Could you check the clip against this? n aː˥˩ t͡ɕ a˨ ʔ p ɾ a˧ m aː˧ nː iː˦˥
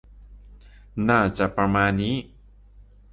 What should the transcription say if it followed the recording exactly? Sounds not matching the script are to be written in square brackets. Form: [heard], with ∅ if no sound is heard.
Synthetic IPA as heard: n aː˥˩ t͡ɕ a˨ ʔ p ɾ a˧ m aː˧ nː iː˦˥